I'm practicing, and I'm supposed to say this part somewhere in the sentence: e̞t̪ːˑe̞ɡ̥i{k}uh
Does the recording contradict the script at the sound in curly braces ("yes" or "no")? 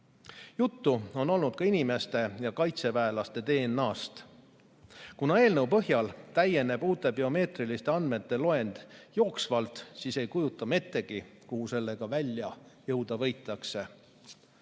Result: no